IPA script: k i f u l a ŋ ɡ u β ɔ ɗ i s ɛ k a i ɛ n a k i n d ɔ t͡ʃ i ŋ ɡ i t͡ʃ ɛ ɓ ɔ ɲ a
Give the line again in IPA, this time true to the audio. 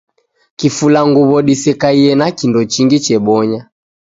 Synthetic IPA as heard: k i f u l a ŋ ɡ u β ɔ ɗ i s ɛ k a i ɛ n a k i n d ɔ t͡ʃ i ŋ ɡ i t͡ʃ ɛ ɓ ɔ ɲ a